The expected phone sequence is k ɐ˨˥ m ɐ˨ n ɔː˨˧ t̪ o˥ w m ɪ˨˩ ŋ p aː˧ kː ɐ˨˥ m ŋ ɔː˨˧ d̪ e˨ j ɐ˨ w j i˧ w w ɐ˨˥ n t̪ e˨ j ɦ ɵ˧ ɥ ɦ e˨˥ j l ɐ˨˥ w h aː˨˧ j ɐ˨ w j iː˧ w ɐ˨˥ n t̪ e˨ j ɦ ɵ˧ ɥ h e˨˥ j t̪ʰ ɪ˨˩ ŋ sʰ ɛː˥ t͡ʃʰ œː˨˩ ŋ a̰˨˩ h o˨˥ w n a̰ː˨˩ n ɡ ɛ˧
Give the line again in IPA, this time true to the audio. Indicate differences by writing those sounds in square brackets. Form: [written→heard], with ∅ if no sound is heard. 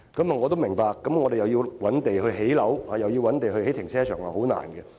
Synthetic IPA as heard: k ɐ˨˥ m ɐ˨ [n→ŋ] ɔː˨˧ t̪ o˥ w m ɪ˨˩ ŋ p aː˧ kː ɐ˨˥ m ŋ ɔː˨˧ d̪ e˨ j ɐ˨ w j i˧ w w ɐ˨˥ n t̪ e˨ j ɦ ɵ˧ ɥ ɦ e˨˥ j l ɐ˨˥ w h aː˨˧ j ɐ˨ w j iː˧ w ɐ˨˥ n t̪ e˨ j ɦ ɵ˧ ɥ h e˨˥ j t̪ʰ ɪ˨˩ ŋ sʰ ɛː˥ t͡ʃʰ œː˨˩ ŋ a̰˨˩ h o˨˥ w n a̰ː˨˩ n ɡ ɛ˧